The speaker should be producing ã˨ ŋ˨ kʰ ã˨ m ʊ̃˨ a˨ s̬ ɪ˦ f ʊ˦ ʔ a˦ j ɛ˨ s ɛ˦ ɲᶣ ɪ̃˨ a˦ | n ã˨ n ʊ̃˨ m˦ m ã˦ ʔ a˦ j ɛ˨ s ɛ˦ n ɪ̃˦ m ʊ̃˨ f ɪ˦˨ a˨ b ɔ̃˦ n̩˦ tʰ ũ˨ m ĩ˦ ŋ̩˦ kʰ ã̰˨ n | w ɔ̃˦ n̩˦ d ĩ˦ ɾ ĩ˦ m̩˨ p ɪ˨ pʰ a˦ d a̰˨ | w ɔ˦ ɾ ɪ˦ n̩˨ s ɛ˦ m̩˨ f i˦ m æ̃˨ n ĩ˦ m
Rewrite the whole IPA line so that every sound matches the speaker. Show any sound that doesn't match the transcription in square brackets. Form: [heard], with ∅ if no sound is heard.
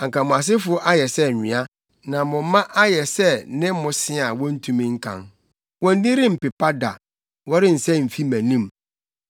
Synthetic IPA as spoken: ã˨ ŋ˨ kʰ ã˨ m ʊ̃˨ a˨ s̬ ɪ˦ f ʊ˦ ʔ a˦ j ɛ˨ s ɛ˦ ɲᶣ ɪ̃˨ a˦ | n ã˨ [m] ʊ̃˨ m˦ m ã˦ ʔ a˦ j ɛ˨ s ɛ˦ n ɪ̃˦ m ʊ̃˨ [s] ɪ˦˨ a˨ [w] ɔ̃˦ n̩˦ tʰ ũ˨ m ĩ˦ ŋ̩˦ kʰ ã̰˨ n | w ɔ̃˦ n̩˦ d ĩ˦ ɾ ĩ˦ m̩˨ p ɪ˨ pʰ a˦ d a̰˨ | w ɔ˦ ɾ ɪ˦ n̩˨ s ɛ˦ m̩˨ f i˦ m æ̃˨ n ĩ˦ m

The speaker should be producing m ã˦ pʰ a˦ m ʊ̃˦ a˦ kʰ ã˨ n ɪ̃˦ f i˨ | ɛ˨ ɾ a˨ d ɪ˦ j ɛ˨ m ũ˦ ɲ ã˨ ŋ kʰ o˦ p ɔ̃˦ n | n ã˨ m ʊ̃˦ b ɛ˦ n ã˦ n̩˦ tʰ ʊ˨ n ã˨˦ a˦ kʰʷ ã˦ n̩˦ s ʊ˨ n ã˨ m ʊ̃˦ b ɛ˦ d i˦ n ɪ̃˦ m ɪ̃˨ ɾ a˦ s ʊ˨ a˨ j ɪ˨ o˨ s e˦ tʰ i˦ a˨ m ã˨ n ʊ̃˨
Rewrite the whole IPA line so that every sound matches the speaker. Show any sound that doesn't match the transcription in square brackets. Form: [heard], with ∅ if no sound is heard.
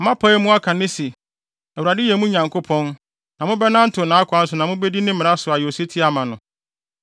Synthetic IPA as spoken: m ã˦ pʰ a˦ m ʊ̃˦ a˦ kʰ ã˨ n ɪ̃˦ [s] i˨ | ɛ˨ ɾ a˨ d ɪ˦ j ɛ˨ m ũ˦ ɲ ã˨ ŋ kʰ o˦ [pʰ] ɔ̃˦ n | n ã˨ m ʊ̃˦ b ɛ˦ n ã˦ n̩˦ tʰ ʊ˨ n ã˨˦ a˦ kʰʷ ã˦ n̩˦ s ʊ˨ n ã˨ m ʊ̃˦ b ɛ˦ d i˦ n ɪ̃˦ m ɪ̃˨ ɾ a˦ s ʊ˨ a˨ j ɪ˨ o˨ s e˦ tʰ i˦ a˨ m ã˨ n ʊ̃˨

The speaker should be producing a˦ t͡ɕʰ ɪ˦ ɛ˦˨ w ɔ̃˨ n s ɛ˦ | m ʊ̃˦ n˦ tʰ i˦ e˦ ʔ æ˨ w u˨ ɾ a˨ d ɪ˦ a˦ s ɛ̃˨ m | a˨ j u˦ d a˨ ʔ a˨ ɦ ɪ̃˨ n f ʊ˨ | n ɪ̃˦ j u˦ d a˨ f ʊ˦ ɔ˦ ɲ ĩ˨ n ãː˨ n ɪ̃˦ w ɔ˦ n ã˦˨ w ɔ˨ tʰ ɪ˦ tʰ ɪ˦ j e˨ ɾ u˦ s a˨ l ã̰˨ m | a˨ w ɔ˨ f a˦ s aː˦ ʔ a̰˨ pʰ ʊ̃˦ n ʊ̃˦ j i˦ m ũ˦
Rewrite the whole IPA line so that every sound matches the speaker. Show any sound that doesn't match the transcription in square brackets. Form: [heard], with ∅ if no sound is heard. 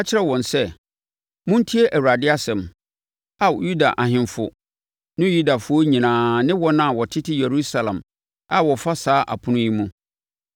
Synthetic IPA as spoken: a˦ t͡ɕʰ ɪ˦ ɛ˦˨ w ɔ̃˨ n s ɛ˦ | m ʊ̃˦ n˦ tʰ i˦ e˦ ʔ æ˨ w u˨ ɾ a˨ d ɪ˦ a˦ s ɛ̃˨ m | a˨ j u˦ d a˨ ʔ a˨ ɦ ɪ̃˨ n f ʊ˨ | n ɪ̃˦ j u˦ d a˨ f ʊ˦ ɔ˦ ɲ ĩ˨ n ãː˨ n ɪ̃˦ w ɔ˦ n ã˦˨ w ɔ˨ tʰ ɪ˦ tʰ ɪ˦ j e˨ ɾ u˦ s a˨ l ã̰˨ m | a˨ w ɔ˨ f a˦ s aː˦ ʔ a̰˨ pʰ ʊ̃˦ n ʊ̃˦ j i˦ m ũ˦

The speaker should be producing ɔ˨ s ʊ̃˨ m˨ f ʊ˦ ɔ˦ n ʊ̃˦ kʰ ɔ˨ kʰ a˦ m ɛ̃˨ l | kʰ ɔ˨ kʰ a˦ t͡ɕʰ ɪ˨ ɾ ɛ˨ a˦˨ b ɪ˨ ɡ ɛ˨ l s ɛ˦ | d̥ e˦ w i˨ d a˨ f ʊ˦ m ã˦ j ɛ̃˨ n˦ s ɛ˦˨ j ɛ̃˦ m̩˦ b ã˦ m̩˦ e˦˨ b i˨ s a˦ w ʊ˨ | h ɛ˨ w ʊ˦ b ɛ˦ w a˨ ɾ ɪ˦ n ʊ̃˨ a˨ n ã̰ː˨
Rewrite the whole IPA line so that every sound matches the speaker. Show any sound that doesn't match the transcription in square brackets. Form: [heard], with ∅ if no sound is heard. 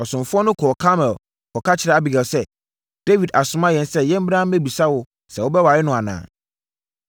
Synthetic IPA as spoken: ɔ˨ s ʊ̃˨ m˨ f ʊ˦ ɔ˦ n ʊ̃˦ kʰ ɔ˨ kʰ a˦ m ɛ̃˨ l | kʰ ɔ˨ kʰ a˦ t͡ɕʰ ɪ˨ ɾ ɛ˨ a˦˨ b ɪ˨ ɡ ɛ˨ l s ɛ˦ | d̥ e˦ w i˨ d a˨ [s] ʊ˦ m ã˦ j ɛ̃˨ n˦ s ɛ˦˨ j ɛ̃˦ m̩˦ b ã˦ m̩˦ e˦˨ b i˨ s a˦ w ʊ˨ | [s] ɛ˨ w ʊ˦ b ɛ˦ w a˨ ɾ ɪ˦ n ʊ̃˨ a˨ n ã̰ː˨

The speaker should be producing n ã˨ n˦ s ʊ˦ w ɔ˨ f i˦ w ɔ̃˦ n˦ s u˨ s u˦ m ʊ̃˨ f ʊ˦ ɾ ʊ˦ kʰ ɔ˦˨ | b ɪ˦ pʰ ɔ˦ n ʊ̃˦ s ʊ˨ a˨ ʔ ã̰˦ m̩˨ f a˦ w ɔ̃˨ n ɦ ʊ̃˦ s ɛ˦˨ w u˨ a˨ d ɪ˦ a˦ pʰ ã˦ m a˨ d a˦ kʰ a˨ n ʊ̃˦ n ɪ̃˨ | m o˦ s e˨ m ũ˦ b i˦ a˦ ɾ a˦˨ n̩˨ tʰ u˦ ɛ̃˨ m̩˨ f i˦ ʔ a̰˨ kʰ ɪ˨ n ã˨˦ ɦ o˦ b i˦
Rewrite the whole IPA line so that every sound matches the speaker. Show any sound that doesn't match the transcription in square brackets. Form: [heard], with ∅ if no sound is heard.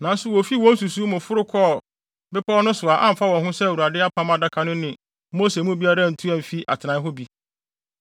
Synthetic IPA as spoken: n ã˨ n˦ s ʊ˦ w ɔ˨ f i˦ w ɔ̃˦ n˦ s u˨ s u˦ m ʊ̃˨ f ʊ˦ ɾ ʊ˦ kʰ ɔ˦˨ | b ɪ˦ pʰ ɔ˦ n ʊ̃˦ s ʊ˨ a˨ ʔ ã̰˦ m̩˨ f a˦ w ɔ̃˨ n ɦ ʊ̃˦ s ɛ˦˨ w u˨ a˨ d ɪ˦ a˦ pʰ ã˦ m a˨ d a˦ kʰ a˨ n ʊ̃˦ n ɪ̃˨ | m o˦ s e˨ m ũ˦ b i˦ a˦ ɾ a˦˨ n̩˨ tʰ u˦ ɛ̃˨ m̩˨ f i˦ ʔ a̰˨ [tʰ] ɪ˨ n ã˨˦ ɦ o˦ b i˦

